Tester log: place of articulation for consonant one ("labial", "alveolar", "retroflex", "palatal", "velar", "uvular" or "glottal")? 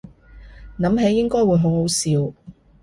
alveolar